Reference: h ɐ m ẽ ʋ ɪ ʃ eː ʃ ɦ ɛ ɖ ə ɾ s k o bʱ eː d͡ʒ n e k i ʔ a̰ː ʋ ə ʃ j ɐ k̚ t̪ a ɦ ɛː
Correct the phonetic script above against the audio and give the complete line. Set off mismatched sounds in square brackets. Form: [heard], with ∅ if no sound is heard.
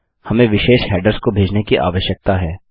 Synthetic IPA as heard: h ɐ m ẽ ʋ ɪ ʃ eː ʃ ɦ [ɛː] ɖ ə ɾ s k o bʱ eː d͡ʒ n e k i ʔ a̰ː ʋ ə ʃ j [ə] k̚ t̪ a ɦ ɛː